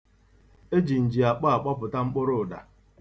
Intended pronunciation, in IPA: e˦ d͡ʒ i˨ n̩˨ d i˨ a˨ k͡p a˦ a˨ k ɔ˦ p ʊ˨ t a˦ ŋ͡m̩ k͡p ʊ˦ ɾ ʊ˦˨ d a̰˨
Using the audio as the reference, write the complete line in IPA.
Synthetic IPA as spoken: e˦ d͡ʒ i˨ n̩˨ d͡ʒ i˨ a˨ k͡p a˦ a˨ k͡p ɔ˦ p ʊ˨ t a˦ ŋ͡m̩ k͡p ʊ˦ ɾ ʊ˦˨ d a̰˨